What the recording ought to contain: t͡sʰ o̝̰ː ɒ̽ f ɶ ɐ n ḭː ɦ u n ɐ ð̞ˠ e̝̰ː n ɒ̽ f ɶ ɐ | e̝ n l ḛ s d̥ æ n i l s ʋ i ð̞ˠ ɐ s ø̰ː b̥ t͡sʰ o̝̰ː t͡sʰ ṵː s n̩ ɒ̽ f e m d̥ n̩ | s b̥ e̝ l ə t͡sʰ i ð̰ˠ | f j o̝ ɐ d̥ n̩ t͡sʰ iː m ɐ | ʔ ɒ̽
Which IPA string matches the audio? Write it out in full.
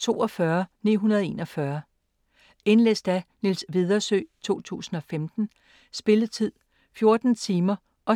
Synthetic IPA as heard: t͡sʰ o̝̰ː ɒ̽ f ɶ ɐ n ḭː ɦ u n ɐ ð̞ˠ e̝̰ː n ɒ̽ f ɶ ɐ | e̝ n l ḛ s d̥ æ n i l s ʋ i ð̞ˠ ɐ s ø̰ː t͡sʰ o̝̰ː t͡sʰ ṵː s n̩ ɒ̽ f e m d̥ n̩ | s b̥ e̝ l ə t͡sʰ i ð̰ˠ | f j o̝ ɐ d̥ n̩ t͡sʰ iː m ɐ | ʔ ɒ̽